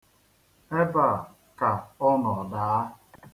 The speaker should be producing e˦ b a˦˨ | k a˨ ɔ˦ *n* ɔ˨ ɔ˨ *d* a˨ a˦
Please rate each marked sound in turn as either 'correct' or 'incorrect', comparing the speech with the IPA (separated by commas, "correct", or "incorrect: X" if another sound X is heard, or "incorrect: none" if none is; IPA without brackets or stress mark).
correct, correct